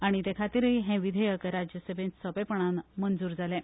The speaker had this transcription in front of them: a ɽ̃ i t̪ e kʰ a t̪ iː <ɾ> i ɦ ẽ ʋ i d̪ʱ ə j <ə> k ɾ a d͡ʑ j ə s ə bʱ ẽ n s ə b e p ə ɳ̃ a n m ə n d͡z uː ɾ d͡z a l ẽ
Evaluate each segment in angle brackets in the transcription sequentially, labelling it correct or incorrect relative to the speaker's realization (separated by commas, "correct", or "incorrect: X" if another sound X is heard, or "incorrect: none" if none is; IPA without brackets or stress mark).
correct, correct